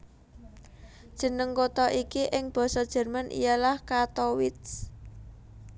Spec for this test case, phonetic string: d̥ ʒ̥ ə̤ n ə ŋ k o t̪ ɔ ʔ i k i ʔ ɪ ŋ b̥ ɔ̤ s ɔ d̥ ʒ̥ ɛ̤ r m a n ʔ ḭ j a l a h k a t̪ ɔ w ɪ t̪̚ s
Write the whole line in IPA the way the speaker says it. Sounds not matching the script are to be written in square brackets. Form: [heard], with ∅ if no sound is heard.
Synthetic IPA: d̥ ʒ̥ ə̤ n ə ŋ k o t̪ ɔ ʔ i k i ʔ ɪ ŋ b̥ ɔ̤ s ɔ d̥ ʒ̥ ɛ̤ r m a n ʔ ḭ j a l a h k a t̪ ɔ w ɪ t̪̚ s